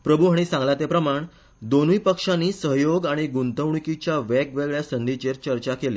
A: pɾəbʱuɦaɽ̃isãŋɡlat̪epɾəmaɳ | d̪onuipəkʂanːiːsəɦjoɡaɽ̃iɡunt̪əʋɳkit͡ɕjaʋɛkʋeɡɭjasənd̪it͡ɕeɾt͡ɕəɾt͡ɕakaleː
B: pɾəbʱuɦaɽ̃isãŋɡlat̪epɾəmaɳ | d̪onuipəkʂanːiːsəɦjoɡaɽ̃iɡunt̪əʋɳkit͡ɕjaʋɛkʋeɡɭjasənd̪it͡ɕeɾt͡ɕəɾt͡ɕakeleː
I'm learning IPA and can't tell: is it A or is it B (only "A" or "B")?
B